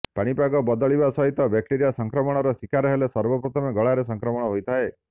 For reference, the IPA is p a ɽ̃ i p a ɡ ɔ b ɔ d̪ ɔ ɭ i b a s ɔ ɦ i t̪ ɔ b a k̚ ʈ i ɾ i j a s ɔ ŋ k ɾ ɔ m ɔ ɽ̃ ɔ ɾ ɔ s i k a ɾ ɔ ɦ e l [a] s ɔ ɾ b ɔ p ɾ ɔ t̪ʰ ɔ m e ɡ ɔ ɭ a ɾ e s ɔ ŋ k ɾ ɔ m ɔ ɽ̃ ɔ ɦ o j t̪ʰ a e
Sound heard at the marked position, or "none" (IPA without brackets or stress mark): e